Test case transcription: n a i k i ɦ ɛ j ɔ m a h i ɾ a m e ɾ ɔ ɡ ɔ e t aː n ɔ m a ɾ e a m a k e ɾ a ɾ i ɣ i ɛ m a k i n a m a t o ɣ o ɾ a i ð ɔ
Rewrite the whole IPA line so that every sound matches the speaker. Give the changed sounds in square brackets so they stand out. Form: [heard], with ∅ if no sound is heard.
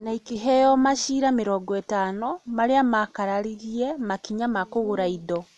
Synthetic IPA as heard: n a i k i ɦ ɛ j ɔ m a [ʃ] i ɾ a m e ɾ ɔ ɡ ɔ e t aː n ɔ m a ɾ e a m a k [a] ɾ a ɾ i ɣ i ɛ m a k i [ɲ] a m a [k] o ɣ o ɾ a i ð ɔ